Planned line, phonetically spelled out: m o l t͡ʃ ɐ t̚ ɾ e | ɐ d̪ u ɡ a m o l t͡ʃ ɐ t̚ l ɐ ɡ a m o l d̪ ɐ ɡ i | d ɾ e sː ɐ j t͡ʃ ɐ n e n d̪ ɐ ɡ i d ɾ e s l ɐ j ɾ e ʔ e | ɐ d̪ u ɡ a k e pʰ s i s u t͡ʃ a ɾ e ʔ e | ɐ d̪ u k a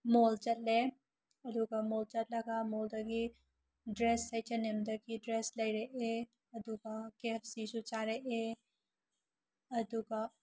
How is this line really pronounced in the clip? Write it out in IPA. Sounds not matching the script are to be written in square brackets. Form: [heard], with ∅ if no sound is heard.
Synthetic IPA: m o l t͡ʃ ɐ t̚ [l] e | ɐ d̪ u ɡ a m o l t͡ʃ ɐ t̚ l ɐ ɡ a m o l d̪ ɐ ɡ i | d ɾ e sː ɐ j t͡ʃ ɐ n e [m] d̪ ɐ ɡ i d ɾ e s l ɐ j ɾ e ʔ e | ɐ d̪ u ɡ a k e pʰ s i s u t͡ʃ a ɾ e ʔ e | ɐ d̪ u [ɡ] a